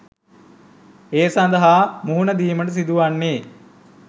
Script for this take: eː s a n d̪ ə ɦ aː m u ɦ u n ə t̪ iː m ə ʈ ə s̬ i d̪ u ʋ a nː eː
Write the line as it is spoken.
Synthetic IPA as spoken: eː s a n d̪ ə ɦ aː m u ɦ u n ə d̪ iː m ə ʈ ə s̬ i d̪ u ʋ a nː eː